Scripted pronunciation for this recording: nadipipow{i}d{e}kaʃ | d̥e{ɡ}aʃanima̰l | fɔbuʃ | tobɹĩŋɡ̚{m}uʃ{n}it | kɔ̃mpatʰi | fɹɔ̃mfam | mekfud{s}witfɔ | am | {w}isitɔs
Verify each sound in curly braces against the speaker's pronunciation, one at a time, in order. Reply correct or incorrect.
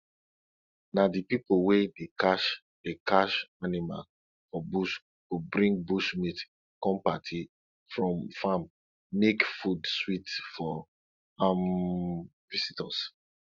incorrect, correct, incorrect, incorrect, incorrect, correct, incorrect

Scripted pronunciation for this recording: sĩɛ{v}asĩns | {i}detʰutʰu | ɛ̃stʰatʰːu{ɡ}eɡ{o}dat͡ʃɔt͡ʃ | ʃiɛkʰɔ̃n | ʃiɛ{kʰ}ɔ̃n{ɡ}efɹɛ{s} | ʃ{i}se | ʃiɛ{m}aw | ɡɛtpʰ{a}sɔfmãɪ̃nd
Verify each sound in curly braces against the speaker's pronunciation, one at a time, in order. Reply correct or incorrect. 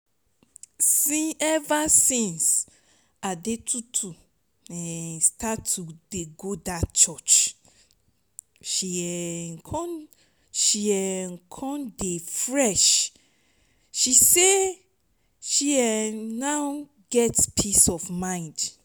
correct, incorrect, incorrect, correct, correct, incorrect, incorrect, correct, incorrect, incorrect

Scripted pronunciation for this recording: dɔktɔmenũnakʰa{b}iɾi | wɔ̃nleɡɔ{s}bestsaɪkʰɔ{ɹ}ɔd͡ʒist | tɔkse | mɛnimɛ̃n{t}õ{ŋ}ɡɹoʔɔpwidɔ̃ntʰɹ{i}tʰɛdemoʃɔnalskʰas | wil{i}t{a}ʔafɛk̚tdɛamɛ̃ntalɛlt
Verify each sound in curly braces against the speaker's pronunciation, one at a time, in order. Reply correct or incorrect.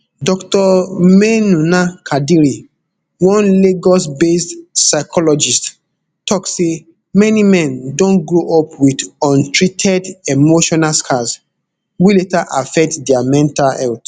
incorrect, correct, incorrect, incorrect, incorrect, correct, incorrect, correct

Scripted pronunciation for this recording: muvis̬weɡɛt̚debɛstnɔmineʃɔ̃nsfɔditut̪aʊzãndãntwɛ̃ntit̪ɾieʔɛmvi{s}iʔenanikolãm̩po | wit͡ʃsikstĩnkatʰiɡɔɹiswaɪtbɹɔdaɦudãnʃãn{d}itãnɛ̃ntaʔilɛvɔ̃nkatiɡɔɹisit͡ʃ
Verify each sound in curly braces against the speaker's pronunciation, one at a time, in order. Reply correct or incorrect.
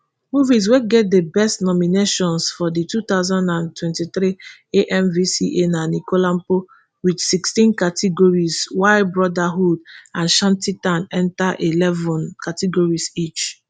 correct, incorrect

